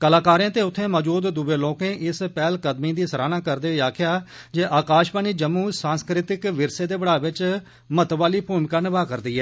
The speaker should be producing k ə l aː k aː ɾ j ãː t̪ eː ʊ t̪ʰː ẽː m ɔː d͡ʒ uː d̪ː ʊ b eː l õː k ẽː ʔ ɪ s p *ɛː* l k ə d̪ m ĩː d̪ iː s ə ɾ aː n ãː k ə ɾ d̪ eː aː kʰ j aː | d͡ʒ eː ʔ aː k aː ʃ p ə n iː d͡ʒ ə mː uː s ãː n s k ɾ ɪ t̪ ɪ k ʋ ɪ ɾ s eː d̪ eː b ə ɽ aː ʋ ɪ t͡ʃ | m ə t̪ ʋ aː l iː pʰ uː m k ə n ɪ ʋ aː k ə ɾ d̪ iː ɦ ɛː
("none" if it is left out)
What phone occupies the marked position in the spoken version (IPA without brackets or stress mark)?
ɛː